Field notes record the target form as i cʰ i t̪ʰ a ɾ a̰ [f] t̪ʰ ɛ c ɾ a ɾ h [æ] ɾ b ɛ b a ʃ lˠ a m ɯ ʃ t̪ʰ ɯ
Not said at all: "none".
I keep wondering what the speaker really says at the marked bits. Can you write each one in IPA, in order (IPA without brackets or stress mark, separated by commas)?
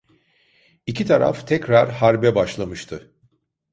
f, a